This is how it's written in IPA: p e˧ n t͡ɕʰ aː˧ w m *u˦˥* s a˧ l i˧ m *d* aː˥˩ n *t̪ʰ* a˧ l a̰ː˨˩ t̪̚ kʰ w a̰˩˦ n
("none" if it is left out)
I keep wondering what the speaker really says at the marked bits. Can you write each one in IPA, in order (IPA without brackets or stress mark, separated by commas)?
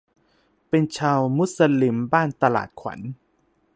u˦˥, b, t̪